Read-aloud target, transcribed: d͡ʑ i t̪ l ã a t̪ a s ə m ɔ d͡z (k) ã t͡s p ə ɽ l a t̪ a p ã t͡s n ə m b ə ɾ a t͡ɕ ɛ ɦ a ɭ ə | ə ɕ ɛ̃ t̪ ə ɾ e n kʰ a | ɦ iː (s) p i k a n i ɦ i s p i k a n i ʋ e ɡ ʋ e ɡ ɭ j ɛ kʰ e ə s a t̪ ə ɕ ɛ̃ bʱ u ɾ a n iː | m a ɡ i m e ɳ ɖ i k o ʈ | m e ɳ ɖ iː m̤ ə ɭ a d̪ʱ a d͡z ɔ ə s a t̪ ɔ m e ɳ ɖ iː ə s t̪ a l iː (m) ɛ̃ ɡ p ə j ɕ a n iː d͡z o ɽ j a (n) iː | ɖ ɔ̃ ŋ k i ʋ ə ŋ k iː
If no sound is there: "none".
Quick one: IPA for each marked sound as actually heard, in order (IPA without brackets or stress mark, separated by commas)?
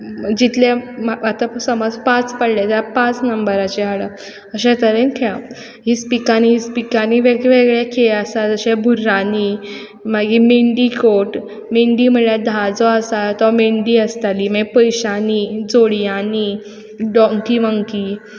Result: p, s, m, n